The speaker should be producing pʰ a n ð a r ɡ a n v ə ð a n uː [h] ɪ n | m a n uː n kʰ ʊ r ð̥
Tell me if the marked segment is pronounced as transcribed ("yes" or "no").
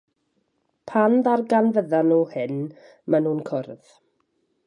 yes